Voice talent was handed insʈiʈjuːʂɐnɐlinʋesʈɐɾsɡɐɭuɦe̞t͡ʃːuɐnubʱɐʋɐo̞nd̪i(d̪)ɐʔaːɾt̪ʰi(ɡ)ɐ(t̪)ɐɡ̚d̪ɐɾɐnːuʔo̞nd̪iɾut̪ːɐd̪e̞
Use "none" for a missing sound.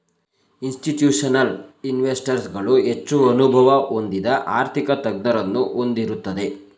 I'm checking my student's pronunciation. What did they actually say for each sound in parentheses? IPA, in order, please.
d̪, k, t̪

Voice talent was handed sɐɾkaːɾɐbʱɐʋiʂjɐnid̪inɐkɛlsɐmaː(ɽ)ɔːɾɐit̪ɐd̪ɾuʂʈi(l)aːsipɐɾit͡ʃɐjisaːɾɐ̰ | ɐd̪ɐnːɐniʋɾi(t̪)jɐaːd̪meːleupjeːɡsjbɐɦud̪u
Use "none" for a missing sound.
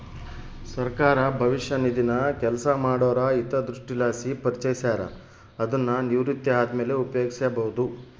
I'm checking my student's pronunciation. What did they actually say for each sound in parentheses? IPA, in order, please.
ɽ, l, t̪

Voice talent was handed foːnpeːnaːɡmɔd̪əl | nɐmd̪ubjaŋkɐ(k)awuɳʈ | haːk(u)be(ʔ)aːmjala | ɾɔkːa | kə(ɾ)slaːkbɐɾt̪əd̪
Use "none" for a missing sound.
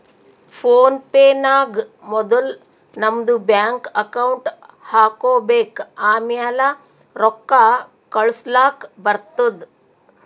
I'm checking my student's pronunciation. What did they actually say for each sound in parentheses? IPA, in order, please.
k, o, k, ɭ

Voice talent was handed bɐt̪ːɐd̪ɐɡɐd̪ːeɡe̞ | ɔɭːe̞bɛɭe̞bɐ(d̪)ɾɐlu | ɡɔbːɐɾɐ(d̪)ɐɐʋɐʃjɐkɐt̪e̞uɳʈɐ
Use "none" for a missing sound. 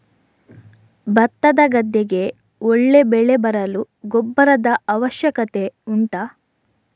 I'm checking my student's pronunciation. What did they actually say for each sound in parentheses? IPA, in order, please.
none, d̪

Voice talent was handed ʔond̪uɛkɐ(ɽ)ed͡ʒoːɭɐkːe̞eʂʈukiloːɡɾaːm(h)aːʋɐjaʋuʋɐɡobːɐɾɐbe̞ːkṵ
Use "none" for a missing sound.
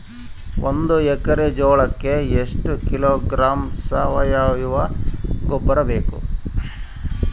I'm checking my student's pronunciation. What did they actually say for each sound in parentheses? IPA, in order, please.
ɾ, s

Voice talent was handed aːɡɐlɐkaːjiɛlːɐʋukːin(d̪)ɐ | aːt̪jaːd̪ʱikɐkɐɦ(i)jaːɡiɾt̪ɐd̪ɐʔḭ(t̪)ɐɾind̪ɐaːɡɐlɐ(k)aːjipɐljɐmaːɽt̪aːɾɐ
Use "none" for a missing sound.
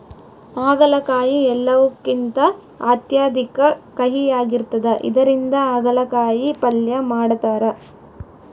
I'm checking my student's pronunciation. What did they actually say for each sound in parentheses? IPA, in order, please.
t̪, i, d̪, k

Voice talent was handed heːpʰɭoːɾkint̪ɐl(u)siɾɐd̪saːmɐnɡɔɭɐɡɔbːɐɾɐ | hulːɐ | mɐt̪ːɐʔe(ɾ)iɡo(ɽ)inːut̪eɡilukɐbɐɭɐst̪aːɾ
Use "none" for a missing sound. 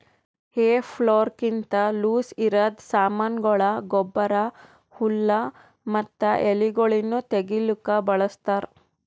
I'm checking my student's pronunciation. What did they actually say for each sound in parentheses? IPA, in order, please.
uː, l, ɭ

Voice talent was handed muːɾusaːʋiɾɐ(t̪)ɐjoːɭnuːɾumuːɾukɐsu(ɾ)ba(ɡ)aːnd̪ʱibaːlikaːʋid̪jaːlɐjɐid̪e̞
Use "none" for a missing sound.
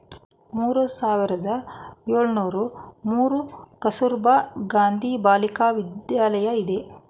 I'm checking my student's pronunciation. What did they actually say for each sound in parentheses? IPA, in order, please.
d̪, ɾ, ɡ

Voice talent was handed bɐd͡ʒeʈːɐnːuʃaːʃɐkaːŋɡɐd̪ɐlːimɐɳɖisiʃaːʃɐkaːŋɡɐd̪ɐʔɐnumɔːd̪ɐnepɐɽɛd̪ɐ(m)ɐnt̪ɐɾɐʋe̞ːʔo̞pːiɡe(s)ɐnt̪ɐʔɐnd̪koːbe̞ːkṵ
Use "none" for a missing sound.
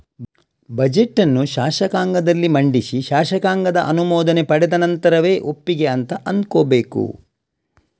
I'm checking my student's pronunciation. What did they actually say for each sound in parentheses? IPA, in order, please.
n, none

